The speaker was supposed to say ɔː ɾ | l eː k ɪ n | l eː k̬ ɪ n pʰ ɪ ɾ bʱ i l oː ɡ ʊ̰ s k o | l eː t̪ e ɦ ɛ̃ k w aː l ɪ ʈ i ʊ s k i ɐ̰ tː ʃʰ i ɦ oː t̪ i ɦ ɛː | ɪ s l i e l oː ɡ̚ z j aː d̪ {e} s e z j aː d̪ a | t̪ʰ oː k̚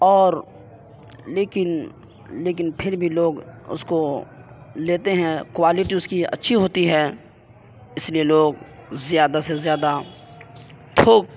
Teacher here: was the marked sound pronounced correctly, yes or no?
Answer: no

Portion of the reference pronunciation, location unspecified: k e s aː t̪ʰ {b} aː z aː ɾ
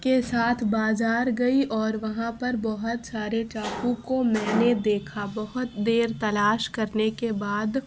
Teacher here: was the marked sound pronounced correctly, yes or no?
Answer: yes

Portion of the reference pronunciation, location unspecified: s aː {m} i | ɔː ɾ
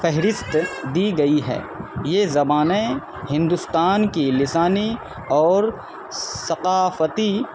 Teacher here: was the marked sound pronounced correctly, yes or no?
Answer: no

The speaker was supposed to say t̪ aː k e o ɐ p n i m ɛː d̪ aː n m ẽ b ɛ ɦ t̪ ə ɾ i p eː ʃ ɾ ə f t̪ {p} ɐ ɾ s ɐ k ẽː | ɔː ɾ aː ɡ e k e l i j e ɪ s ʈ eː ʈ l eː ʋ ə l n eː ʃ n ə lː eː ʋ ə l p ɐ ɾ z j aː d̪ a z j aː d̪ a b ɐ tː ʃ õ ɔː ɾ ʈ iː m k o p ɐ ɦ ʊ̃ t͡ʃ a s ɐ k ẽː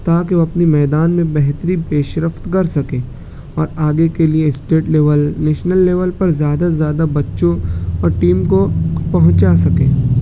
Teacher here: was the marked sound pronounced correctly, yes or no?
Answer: no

